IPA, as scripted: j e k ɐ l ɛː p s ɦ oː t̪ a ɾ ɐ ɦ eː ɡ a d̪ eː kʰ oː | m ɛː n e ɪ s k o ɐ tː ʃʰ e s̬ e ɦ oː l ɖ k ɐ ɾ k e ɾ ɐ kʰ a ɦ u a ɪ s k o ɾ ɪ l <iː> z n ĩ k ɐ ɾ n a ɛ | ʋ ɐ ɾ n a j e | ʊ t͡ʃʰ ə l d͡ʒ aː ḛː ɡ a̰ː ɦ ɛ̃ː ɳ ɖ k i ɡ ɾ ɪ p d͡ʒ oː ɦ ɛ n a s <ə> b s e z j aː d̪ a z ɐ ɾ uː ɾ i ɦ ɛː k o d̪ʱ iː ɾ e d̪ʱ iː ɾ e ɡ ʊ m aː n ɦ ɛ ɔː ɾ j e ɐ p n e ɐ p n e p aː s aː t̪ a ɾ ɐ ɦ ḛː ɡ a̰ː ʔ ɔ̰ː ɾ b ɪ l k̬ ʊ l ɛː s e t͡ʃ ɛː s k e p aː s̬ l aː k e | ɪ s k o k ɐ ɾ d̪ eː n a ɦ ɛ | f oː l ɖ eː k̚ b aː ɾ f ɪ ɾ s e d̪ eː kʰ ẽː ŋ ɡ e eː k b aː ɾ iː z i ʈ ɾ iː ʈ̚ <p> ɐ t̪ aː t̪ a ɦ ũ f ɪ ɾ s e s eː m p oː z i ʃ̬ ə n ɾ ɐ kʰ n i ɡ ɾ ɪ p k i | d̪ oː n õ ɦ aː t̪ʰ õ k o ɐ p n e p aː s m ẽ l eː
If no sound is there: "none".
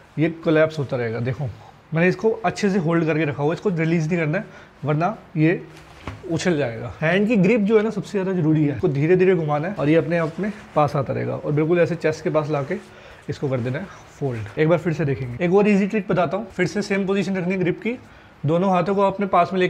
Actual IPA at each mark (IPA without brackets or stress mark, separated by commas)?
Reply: iː, ɐ, b